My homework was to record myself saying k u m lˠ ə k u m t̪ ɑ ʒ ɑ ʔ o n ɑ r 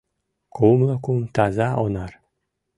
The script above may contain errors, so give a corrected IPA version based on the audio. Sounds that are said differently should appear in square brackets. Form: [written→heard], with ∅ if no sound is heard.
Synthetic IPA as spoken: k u m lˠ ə k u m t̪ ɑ [ʒ→z] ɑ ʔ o n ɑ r